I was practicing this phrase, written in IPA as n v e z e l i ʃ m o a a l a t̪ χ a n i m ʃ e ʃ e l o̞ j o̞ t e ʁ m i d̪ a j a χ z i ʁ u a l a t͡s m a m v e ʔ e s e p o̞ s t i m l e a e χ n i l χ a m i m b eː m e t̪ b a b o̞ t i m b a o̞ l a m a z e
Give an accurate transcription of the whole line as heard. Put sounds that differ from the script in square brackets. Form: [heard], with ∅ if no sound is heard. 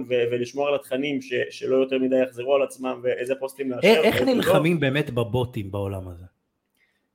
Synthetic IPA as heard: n v e [v] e l i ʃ m o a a l a t̪ χ a n i m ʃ e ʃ e l o̞ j o̞ t e ʁ m i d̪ a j a χ z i ʁ u a l a t͡s m a m v e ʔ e [z] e p o̞ s t i m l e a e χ n i l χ a m i m b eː m e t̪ b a b o̞ t i m b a o̞ l a m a z e